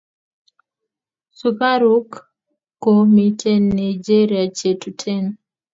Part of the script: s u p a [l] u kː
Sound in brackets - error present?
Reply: yes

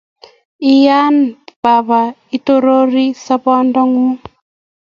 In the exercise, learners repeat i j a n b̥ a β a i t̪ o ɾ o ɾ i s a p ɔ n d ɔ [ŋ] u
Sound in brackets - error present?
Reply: no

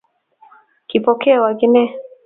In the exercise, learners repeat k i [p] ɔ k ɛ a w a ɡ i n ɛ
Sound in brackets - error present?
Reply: no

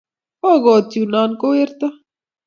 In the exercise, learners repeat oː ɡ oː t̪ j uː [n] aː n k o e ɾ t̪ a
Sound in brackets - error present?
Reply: no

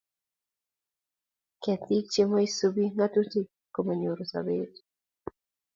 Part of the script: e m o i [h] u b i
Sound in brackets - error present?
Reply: yes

